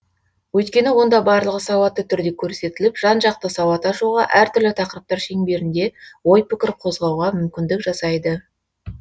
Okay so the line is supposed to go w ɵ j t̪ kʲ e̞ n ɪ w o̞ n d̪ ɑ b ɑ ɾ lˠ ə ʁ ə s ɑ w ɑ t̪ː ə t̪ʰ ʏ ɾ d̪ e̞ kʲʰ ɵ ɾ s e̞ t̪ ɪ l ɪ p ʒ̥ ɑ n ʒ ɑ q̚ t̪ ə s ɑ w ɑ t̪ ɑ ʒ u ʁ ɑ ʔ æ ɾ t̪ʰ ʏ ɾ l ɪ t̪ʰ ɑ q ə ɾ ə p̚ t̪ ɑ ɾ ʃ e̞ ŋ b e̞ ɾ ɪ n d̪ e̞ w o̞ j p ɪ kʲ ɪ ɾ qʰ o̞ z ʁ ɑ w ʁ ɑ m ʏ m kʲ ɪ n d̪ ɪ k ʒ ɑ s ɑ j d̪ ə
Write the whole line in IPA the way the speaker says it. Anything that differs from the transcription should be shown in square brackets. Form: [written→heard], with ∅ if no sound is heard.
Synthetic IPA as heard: w ɵ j t̪ kʲ e̞ n ɪ w o̞ n d̪ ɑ b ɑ ɾ lˠ ə ʁ ə s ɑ w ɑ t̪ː ə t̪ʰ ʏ ɾ d̪ e̞ kʲʰ ɵ ɾ s e̞ t̪ ɪ l ɪ p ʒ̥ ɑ n ʒ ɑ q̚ t̪ ə s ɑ w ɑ t̪ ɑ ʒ u ʁ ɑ ʔ æ ɾ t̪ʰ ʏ ɾ l ɪ t̪ʰ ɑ q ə ɾ ə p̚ t̪ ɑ ɾ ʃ e̞ ŋ b e̞ ɾ ɪ n d̪ e̞ w o̞ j p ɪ kʲ ɪ ɾ qʰ o̞ z ʁ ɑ w ʁ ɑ m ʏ m kʲ ɪ n d̪ ɪ k ʒ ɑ s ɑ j d̪ ə